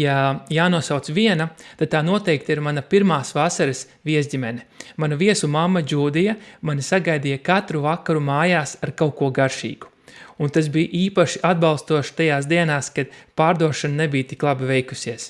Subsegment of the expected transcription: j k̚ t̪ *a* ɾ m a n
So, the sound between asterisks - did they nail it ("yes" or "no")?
no